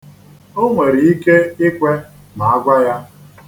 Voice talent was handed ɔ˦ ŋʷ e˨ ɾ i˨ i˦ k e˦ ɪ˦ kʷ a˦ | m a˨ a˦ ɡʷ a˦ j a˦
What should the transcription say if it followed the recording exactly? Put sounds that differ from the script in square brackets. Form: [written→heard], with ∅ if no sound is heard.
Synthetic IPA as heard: [ɔ˦→o˦] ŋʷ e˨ ɾ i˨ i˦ k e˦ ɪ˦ kʷ [a˦→e˦] | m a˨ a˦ ɡʷ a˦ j a˦